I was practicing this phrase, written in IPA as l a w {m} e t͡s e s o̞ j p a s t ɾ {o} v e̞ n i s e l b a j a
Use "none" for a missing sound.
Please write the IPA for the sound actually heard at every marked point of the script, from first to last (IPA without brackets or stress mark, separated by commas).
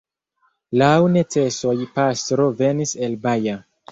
n, o